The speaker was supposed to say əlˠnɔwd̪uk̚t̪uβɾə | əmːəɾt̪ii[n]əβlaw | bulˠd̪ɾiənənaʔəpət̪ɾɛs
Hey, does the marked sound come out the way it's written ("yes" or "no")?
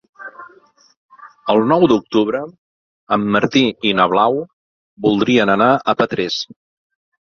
yes